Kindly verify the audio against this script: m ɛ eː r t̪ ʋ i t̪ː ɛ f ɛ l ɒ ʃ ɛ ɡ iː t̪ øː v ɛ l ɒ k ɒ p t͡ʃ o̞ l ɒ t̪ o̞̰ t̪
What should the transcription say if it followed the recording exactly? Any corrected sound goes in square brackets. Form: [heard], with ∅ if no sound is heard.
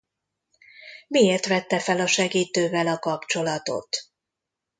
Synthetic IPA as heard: m [i] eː r t̪ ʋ [ɛ] t̪ː ɛ f ɛ l ɒ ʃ ɛ ɡ iː t̪ øː v ɛ l ɒ k ɒ p t͡ʃ o̞ l ɒ t̪ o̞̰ t̪